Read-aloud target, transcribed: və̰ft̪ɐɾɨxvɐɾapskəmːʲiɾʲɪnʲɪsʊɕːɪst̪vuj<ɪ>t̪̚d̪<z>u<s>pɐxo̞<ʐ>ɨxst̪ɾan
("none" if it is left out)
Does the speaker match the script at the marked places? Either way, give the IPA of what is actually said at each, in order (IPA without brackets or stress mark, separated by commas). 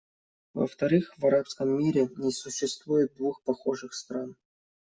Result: ɪ, v, x, ʐ